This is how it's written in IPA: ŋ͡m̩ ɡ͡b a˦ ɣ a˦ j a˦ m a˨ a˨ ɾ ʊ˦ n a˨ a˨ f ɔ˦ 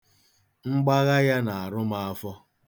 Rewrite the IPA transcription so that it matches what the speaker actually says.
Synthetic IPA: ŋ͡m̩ ɡ͡b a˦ ɣ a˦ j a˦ n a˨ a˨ ɾ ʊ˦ m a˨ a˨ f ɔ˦